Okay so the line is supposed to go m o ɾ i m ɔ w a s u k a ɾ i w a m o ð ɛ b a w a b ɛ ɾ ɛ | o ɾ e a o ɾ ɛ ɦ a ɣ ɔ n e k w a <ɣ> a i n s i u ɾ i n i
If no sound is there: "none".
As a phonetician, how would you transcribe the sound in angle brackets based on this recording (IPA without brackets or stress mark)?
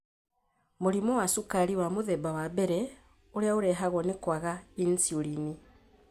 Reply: ɣ